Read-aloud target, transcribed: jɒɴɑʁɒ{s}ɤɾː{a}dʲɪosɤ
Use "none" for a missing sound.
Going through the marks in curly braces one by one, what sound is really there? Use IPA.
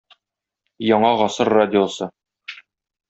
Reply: s, a

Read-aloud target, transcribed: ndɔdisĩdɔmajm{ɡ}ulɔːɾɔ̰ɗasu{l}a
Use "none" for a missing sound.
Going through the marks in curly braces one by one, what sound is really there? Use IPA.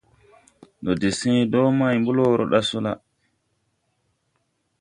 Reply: b, l

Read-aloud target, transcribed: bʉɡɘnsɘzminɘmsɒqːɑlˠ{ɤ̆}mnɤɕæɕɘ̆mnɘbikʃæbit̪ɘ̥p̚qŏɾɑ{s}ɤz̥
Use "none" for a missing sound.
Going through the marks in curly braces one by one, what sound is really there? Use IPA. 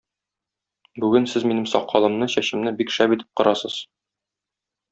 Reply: ɤ̆, s

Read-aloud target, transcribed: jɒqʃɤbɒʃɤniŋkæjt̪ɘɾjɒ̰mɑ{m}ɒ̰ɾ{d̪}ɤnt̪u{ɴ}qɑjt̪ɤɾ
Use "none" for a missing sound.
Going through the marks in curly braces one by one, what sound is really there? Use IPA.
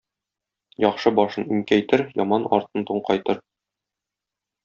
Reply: n, t̪, ɴ

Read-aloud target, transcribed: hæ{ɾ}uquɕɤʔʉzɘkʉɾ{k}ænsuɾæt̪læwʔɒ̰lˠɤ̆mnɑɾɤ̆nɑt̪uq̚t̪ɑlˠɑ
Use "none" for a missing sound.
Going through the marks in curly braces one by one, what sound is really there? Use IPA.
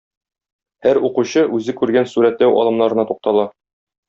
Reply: ɾ, ɡ

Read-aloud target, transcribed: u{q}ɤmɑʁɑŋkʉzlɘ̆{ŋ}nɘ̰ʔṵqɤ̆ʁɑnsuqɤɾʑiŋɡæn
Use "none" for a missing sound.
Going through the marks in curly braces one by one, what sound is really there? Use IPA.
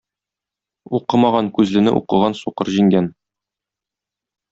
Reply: q, none

